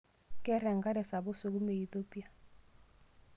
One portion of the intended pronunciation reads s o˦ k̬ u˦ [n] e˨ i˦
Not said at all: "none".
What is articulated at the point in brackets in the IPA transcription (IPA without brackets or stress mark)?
m